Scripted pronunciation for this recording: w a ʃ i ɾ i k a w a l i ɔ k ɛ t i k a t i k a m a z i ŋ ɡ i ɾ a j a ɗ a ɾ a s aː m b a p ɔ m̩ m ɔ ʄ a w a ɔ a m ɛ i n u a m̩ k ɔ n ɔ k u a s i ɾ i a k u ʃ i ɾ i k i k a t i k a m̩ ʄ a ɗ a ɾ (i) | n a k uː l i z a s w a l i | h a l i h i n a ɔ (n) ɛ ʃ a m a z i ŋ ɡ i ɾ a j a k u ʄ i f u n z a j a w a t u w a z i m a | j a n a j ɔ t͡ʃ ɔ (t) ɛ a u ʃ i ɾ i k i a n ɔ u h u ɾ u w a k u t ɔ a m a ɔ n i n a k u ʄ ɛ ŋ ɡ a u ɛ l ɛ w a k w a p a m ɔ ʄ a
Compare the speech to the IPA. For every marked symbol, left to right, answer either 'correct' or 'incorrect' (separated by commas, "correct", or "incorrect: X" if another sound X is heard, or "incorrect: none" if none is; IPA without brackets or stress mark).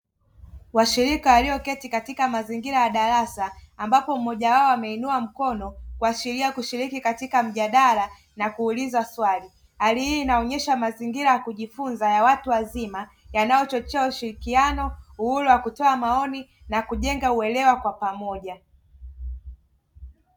incorrect: a, incorrect: ɲ, incorrect: t͡ʃ